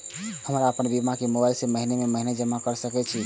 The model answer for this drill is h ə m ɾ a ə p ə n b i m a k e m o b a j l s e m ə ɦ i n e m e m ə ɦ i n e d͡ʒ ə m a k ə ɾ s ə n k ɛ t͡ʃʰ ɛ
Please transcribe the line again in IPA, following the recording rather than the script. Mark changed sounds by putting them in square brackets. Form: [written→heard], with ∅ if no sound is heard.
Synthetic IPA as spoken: h ə m ɾ a ə p ə n b i m a k e m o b a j l s e m ə ɦ i n e m e m ə ɦ i n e d͡ʒ ə m a k ə ɾ s ə [n→∅] k ɛ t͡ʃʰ [ɛ→i]